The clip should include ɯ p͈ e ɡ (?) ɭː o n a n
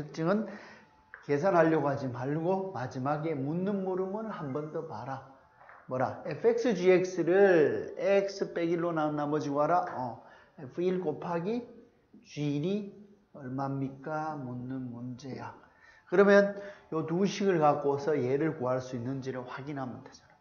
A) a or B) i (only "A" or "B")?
B